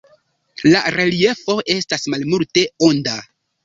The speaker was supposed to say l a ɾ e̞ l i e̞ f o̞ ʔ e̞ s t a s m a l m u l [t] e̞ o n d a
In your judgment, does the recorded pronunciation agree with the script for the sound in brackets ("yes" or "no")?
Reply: yes